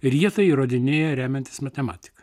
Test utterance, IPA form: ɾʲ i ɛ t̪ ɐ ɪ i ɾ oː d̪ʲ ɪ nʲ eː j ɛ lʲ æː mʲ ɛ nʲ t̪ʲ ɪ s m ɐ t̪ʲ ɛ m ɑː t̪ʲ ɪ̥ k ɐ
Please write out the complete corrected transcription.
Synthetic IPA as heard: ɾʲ i ɛ t̪ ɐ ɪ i ɾ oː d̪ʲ ɪ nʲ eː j ɛ ɾʲ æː mʲ ɛ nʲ t̪ʲ ɪ s m ɐ t̪ʲ ɛ m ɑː t̪ʲ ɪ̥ k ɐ